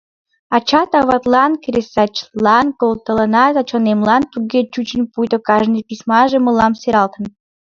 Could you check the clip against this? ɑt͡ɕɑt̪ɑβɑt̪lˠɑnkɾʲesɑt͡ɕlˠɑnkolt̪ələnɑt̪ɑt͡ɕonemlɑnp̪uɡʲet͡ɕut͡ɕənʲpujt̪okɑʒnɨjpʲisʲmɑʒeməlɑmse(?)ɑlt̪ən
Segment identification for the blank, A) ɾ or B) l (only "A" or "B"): A